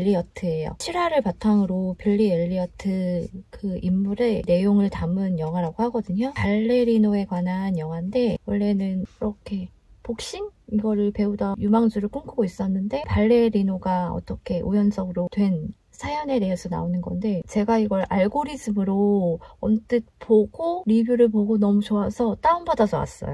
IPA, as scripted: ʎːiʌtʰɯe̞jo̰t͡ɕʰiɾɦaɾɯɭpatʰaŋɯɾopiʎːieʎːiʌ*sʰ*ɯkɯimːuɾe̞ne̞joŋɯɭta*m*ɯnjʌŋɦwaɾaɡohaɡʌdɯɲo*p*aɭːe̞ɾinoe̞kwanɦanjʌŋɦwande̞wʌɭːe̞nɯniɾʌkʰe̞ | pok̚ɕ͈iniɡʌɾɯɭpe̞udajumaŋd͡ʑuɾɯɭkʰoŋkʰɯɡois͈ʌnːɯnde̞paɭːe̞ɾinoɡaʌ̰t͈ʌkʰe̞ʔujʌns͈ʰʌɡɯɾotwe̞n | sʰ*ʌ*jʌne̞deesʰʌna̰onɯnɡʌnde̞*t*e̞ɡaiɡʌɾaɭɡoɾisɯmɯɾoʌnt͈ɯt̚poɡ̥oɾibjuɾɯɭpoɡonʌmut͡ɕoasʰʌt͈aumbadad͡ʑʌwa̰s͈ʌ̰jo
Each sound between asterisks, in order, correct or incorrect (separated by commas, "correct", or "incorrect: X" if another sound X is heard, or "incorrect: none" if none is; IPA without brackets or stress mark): incorrect: tʰ, correct, correct, incorrect: a, incorrect: t͡ɕ